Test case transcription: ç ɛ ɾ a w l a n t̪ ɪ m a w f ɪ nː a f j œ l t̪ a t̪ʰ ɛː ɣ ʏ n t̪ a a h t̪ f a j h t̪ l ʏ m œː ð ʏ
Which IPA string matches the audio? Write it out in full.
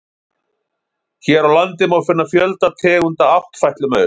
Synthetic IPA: ç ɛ ɾ a w l a n t̪ ɪ m a w f ɪ nː a f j œ l t̪ a t̪ʰ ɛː ɣ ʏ n t̪ a a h t̪ f a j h t̪ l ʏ m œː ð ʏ